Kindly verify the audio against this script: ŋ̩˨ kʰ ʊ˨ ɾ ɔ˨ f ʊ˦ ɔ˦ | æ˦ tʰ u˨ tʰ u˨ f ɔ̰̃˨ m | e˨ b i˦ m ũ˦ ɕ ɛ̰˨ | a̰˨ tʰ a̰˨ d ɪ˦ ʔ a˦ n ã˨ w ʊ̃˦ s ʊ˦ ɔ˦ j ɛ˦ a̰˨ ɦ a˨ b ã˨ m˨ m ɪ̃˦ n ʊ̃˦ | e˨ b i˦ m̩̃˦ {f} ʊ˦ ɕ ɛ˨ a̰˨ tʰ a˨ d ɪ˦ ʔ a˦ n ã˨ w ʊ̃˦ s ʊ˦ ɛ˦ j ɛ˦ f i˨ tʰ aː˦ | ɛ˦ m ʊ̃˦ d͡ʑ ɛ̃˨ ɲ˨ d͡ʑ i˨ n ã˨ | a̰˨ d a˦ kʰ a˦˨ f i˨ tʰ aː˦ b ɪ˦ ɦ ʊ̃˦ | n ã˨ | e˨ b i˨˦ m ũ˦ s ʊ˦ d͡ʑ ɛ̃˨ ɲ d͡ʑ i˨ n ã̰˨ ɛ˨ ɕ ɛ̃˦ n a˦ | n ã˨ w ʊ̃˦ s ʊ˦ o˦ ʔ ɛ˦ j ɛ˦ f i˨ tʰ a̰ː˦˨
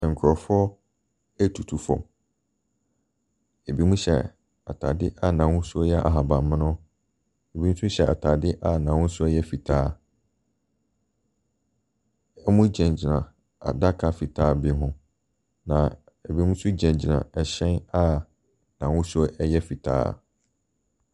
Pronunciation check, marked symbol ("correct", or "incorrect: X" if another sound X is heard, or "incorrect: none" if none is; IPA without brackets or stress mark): incorrect: s